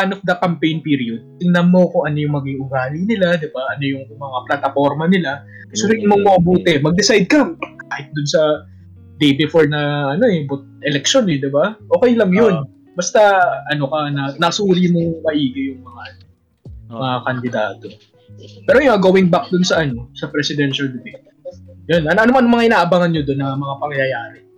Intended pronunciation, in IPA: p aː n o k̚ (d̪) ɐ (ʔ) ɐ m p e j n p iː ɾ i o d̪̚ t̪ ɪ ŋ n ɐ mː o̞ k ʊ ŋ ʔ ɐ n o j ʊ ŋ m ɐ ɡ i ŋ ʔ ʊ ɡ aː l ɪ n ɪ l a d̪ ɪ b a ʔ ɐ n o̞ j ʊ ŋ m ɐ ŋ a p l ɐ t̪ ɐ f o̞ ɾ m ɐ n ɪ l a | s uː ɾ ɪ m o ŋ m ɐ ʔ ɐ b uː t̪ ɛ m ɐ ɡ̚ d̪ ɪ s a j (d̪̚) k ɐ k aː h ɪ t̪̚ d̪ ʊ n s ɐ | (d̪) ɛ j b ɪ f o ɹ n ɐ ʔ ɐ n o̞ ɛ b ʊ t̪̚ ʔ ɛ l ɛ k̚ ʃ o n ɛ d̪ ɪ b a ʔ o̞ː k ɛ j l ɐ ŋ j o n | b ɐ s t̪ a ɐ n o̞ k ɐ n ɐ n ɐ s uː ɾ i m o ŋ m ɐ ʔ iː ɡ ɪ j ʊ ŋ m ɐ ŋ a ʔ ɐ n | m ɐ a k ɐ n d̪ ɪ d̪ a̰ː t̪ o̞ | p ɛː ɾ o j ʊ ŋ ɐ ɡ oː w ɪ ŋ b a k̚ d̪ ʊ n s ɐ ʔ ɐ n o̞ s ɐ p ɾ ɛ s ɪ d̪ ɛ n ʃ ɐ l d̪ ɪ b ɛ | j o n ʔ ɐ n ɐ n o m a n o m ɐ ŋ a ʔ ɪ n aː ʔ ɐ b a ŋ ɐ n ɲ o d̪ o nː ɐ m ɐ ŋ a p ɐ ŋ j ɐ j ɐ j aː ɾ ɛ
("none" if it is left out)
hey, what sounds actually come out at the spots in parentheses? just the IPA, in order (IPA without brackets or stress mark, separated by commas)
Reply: d̪, k, d̪̚, d̪